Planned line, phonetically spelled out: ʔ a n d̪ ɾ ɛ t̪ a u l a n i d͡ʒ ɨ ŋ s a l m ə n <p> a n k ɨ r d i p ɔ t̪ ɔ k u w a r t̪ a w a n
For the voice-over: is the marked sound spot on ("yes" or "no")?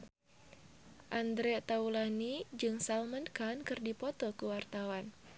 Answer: no